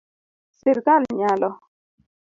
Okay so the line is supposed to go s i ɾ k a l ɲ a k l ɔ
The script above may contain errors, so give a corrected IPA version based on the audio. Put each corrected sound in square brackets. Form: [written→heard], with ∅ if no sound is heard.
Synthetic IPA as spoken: s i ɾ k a l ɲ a [k→∅] l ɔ